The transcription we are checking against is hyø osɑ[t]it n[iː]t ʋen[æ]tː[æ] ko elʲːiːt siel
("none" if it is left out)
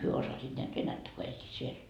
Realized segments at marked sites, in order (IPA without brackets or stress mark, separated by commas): s, æː, æ, æ